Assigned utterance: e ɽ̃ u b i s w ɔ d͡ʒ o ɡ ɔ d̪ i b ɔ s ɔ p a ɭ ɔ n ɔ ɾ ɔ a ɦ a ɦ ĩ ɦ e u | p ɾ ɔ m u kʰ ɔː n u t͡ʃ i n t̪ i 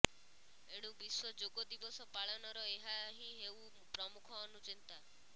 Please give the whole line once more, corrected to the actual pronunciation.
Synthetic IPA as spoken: e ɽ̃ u b i s w ɔ d͡ʒ o ɡ ɔ d̪ i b ɔ s ɔ p a ɭ ɔ n ɔ ɾ ɔ e ɦ a ɦ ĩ ɦ e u | p ɾ ɔ m u kʰ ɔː n u t͡ʃ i n t̪ a